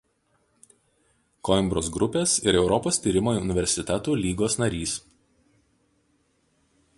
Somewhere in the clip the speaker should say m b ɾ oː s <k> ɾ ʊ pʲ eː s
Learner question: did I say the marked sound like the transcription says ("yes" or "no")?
no